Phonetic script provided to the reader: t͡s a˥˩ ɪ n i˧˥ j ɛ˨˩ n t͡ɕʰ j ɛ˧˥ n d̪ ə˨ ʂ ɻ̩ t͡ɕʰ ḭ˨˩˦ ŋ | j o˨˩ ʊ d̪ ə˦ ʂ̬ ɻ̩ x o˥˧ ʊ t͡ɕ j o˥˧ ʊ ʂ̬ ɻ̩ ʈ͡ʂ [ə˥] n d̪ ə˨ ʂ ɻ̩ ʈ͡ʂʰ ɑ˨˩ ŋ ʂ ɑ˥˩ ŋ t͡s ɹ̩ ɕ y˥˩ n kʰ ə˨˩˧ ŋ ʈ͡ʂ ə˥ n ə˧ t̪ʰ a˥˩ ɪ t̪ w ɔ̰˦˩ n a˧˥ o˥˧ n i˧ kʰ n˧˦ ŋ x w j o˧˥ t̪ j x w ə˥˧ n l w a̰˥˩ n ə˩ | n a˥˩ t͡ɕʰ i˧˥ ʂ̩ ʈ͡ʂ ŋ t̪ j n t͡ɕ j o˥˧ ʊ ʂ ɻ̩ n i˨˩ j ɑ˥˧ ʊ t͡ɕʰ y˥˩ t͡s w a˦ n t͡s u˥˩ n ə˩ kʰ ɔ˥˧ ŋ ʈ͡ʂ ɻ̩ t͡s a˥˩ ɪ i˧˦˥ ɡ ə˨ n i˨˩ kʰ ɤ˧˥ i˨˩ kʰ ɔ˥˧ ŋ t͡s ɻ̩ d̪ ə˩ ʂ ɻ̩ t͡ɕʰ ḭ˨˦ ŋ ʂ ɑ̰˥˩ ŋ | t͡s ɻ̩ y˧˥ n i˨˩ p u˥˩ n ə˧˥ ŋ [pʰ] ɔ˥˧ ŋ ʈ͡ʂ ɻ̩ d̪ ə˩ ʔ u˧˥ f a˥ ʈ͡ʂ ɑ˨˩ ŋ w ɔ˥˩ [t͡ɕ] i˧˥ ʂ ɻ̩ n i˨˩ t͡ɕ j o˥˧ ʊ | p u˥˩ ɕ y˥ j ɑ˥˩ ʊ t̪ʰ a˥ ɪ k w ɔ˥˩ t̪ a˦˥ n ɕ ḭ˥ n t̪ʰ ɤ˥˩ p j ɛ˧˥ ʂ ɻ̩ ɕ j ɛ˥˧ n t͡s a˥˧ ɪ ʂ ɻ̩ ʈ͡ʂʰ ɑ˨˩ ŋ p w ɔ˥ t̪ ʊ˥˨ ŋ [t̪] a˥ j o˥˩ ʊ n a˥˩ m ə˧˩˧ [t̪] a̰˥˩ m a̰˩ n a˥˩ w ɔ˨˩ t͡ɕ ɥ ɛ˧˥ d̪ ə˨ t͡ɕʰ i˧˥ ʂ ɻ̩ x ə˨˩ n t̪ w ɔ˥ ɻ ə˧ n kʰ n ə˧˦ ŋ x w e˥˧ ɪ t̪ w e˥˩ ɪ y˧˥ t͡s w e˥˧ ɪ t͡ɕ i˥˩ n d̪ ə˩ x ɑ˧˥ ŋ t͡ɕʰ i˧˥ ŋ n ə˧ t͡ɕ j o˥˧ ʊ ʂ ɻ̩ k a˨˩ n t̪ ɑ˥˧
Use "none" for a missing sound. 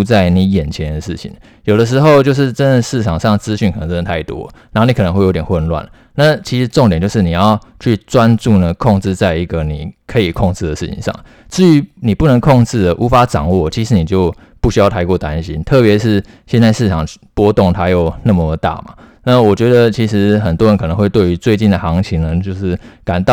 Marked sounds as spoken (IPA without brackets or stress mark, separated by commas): ə˥, kʰ, t͡ɕʰ, t̪ʰ, t̪